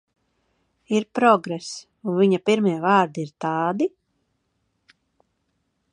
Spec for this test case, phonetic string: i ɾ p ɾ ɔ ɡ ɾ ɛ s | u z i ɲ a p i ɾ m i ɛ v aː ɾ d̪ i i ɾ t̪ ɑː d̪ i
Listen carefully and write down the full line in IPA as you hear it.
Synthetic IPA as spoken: i ɾ p ɾ ɔ ɡ ɾ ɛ s | u v i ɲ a p i ɾ m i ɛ v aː ɾ d̪ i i ɾ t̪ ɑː d̪ i